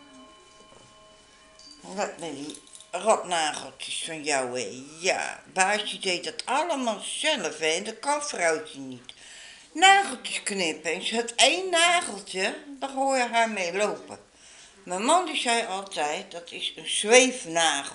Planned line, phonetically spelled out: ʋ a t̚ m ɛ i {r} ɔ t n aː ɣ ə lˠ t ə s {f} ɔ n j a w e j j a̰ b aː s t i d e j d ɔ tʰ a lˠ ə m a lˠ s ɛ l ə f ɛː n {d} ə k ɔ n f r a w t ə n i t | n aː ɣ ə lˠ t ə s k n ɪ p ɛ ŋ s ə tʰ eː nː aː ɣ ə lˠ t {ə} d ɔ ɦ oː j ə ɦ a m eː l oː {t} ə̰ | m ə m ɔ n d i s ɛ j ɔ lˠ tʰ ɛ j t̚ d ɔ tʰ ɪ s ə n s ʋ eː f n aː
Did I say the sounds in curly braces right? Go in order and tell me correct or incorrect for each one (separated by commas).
correct, correct, correct, correct, incorrect